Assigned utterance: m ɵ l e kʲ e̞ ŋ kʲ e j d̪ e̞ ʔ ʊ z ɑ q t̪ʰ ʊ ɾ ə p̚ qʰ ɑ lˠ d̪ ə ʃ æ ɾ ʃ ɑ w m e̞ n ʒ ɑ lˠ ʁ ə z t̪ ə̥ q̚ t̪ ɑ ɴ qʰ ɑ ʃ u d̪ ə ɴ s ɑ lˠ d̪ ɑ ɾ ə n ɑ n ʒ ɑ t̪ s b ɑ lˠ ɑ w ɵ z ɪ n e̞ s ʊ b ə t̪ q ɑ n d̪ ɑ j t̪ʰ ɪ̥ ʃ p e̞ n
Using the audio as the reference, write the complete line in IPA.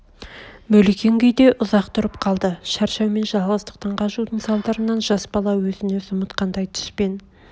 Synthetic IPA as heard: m ɵ l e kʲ e̞ ŋ ɡʲ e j d̪ e̞ ʔ ʊ z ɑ q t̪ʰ ʊ ɾ ə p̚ qʰ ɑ lˠ d̪ ə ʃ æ ɾ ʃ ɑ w m e̞ n ʒ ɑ lˠ ʁ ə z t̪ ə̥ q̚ t̪ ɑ ɴ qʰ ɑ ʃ u d̪ ə ɴ s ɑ lˠ d̪ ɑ ɾ ə n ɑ n ʒ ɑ s b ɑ lˠ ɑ w ɵ z ɪ n e̞ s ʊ m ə t̪ q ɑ n d̪ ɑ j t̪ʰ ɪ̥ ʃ p e̞ n